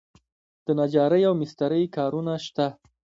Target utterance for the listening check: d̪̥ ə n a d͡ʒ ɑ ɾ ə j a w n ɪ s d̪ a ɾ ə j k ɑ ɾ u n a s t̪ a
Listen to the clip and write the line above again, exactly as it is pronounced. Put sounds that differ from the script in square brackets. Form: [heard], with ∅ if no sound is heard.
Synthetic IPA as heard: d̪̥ ə n a d͡ʒ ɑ ɾ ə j a w [m] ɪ s [t̪] a ɾ ə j k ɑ ɾ u n a [ʃ] t̪ a